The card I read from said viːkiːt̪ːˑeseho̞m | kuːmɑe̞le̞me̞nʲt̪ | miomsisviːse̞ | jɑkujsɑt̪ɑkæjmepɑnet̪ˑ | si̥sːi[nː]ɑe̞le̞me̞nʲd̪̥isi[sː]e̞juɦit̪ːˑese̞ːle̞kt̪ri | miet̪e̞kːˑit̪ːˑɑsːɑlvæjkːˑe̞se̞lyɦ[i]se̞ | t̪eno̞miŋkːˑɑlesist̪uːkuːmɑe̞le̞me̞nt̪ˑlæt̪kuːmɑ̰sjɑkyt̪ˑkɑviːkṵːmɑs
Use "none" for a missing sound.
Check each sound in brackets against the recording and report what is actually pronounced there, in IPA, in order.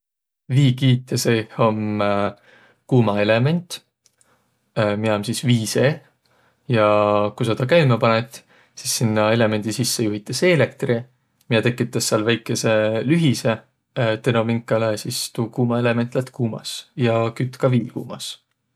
nː, sː, i

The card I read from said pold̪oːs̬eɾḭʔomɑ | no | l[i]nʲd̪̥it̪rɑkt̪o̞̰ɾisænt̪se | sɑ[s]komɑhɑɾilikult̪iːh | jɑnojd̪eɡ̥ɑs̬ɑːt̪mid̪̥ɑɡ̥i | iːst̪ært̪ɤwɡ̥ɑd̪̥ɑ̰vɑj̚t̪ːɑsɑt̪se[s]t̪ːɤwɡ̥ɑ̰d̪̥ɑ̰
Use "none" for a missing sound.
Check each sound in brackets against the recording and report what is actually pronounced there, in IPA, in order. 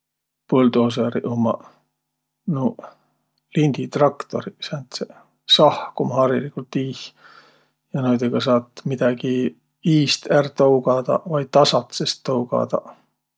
i, h, s

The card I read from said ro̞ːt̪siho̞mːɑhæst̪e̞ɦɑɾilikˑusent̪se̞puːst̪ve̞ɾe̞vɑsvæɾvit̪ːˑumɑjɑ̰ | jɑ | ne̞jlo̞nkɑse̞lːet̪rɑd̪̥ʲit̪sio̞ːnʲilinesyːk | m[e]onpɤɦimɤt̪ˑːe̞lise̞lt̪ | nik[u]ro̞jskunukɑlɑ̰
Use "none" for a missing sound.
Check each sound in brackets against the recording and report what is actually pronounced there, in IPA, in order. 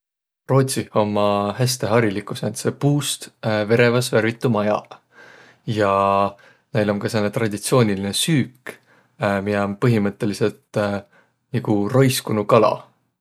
i, u

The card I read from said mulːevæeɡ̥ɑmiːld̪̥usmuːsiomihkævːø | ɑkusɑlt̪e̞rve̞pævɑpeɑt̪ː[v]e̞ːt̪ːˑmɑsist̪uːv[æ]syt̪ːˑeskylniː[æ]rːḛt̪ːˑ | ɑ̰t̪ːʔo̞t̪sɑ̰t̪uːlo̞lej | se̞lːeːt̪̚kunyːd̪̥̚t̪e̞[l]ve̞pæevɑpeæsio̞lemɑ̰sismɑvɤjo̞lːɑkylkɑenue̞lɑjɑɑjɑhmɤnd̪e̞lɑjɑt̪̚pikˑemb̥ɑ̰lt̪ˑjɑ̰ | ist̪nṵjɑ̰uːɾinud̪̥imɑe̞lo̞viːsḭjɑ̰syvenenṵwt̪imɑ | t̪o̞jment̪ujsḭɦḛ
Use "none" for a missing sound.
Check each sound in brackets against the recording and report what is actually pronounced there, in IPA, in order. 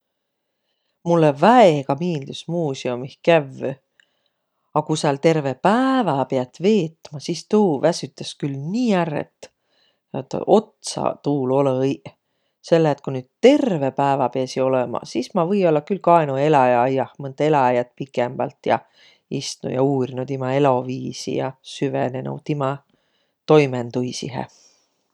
v, æ, æ, r

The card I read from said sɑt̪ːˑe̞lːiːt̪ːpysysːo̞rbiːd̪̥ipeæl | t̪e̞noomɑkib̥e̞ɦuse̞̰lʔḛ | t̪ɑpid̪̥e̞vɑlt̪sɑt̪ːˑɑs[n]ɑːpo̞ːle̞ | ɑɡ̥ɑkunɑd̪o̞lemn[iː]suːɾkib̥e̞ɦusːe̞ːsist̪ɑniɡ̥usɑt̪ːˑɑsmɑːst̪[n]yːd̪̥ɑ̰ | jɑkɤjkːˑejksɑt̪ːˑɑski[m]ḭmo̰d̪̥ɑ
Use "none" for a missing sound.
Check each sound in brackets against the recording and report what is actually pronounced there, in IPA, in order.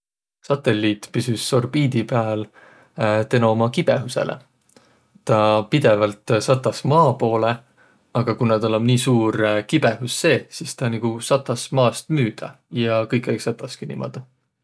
m, iː, m, n

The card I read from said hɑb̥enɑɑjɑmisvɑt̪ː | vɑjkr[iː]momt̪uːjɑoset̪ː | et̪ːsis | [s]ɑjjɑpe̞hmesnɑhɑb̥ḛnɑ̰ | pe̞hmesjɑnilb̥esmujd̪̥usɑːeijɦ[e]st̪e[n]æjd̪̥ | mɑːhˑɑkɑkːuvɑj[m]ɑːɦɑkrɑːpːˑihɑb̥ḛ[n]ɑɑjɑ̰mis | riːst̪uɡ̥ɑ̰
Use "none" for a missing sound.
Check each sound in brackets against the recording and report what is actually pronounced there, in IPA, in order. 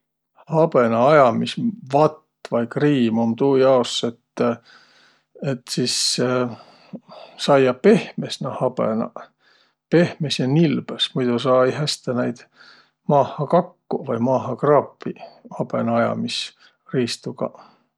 iː, s, æ, n, m, n

